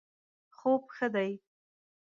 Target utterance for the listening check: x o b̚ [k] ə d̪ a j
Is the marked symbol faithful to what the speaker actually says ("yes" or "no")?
no